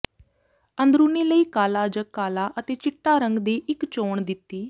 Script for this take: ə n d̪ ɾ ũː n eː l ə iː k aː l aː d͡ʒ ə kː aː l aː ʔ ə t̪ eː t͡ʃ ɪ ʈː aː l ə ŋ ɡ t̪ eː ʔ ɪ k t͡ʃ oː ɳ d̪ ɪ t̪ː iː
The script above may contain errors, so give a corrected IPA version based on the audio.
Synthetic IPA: ə n d̪ ɾ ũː n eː l ə iː k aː l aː d͡ʒ ə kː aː l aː ʔ ə t̪ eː t͡ʃ ɪ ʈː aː ɾ ə ŋ ɡ d̪ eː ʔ ɪ k t͡ʃ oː ɳ d̪ ɪ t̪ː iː